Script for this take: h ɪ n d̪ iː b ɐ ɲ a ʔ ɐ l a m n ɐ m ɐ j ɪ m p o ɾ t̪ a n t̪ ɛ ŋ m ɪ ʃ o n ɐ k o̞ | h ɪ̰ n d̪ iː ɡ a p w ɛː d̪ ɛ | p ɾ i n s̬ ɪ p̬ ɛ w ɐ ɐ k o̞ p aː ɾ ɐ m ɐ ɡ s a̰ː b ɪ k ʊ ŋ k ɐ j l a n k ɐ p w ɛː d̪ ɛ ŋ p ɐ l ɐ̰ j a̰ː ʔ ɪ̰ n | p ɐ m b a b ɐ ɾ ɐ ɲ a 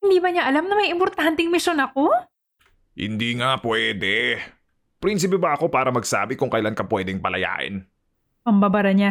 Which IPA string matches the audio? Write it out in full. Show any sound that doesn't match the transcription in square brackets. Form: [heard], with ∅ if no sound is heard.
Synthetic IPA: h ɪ n d̪ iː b ɐ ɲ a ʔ ɐ l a m n ɐ m ɐ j ɪ m p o ɾ t̪ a n t̪ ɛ ŋ m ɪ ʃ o n ɐ k o̞ | h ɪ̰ n d̪ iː [ŋ] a p w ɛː d̪ ɛ | p ɾ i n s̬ ɪ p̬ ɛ [b] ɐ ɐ k o̞ p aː ɾ ɐ m ɐ ɡ s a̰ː b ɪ k ʊ ŋ k ɐ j l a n k ɐ p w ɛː d̪ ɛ ŋ p ɐ l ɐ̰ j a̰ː ʔ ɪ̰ n | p ɐ m b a b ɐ ɾ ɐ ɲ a